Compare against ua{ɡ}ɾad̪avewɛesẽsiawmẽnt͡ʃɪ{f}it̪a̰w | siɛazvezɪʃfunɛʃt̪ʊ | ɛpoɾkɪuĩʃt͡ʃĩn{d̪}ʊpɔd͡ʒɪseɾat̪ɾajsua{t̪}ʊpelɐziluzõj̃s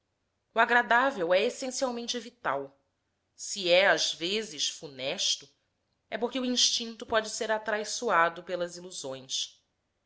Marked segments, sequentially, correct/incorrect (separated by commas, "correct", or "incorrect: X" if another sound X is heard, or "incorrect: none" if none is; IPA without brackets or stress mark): correct, incorrect: v, incorrect: t̪, incorrect: d̪